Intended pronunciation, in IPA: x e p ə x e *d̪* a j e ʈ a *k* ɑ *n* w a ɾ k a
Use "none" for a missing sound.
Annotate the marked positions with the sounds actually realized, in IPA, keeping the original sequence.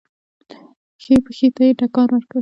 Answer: t̪, k, n

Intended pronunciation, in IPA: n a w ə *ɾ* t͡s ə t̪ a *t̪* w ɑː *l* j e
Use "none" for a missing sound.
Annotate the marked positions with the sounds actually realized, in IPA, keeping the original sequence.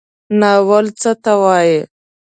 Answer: l, none, none

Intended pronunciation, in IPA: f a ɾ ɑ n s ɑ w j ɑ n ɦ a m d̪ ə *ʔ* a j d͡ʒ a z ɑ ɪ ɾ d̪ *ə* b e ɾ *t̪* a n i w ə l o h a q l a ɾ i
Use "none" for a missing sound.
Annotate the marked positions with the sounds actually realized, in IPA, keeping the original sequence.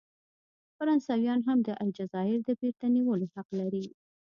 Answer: ʔ, ə, t̪

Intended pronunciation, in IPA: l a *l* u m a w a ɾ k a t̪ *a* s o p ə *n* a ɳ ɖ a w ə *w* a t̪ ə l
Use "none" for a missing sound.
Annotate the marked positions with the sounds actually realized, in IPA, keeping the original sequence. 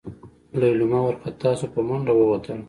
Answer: l, ɑ, m, w

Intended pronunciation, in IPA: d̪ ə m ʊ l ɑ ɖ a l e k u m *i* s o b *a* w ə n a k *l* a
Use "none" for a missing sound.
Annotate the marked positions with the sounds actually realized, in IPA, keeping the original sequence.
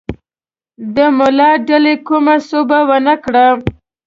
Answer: a, a, ɽ

